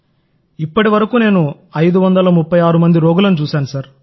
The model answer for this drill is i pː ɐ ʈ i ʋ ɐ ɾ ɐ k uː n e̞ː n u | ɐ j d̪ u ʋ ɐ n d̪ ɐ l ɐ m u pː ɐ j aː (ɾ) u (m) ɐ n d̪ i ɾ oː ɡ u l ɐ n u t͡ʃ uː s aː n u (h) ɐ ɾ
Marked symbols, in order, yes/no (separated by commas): yes, yes, no